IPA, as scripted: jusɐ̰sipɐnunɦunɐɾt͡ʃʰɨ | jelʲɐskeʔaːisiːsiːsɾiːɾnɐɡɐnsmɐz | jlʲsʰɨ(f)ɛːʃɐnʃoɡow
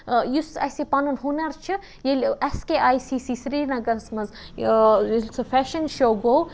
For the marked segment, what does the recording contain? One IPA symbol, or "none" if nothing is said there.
f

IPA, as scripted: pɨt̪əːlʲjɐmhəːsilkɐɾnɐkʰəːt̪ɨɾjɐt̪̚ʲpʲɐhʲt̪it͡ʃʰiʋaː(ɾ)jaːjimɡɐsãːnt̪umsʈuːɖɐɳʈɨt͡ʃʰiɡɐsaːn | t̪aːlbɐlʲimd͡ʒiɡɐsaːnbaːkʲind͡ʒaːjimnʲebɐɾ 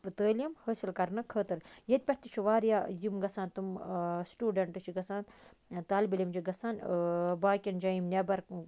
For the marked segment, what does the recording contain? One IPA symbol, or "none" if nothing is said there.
ɾ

